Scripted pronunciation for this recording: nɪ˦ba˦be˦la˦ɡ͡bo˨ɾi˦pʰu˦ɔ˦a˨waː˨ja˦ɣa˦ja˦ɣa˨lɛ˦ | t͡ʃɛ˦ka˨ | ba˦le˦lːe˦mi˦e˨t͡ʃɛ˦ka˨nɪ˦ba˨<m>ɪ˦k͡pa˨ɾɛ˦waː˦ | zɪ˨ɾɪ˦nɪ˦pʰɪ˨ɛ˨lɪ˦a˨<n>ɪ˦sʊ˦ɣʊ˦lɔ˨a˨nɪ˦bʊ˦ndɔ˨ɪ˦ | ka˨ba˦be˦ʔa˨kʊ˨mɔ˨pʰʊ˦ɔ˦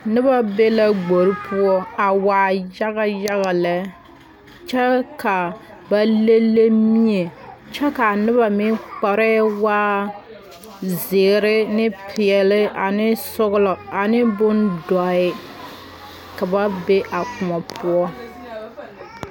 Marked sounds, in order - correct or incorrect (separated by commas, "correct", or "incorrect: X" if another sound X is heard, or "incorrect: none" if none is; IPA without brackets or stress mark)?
correct, correct